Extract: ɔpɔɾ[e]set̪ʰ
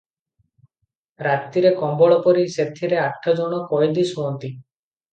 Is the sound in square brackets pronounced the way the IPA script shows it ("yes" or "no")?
no